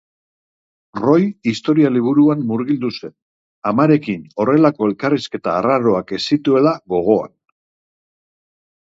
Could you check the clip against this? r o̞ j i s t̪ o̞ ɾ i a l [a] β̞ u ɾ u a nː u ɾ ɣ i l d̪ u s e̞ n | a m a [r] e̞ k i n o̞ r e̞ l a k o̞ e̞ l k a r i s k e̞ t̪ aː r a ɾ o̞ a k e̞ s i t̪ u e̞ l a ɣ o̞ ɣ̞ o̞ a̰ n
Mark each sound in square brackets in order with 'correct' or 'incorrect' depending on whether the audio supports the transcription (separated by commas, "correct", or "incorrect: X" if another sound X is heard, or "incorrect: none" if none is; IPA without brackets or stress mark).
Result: incorrect: i, incorrect: ɾ